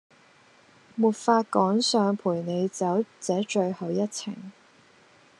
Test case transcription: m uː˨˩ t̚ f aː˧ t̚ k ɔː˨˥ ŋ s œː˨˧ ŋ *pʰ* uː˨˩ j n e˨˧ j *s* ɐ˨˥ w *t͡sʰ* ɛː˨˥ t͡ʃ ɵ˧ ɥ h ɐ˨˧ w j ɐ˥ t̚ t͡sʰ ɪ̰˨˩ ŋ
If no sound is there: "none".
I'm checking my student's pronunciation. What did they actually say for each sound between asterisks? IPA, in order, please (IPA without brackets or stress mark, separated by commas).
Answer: pʰ, t͡s, t͡s